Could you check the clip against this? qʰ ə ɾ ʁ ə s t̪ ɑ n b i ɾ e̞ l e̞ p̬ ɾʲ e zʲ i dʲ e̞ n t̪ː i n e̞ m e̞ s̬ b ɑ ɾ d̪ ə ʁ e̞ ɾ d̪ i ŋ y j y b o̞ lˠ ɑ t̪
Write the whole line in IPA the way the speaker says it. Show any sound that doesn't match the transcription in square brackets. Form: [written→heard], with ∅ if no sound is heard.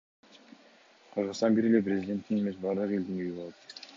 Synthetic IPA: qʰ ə ɾ ʁ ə s t̪ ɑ n b i ɾ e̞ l e̞ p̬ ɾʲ e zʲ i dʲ e̞ n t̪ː i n e̞ m e̞ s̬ b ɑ ɾ d̪ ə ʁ e̞ [ɾ→l] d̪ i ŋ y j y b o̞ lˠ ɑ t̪